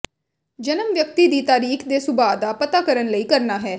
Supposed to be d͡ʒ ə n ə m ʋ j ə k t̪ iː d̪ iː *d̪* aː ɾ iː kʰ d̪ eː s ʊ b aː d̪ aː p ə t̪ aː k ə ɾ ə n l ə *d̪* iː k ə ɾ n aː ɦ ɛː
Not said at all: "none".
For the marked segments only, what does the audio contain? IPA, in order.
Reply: t̪, none

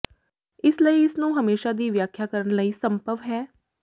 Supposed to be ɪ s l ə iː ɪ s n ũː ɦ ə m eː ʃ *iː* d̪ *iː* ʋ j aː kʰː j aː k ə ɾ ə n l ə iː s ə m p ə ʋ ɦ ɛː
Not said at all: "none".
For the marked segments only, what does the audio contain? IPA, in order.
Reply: aː, iː

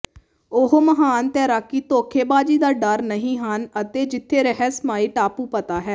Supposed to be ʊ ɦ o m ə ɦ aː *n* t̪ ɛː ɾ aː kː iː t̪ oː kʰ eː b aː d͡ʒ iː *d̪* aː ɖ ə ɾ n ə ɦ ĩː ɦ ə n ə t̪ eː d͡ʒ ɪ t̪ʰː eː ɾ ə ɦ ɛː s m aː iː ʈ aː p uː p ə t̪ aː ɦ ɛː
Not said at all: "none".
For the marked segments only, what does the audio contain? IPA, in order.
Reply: n, d̪

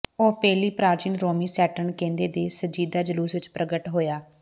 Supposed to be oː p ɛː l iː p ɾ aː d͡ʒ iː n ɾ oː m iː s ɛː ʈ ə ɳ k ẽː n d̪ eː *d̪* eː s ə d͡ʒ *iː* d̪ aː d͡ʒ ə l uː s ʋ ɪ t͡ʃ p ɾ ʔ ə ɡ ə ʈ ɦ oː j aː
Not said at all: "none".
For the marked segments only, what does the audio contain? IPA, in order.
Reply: d̪, iː

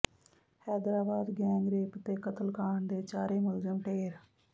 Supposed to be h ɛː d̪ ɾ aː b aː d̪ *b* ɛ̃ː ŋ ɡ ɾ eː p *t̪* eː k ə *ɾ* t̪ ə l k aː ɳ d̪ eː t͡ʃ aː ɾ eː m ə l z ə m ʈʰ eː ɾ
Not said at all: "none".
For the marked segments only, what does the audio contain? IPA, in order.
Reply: ɡ, t̪, none

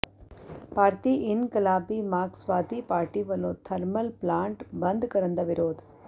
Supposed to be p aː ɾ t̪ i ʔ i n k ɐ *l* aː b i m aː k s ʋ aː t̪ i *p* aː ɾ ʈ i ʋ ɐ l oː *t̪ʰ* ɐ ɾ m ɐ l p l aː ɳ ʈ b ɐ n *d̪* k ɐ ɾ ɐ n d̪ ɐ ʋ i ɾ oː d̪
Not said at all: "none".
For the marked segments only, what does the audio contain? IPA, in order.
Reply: l, p, t̪ʰ, d̪

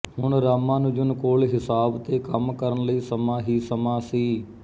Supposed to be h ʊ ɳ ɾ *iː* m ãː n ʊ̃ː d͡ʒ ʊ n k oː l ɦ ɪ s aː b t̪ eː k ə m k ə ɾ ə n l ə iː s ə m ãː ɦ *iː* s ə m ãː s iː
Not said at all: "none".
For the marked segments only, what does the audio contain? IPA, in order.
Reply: aː, iː

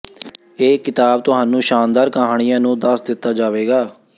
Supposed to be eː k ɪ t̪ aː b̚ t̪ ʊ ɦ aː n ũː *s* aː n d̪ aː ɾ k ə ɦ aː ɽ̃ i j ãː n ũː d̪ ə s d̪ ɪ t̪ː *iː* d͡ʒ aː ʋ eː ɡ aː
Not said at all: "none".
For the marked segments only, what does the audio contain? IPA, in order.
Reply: ʃ, aː

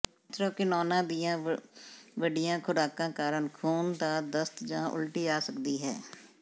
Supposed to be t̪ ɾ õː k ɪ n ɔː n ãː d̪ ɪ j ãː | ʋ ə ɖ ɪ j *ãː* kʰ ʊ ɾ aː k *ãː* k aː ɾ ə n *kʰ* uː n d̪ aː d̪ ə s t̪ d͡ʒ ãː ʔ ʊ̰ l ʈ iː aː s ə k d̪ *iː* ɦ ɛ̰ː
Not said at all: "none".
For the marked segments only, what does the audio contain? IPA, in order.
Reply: ãː, ãː, kʰ, iː

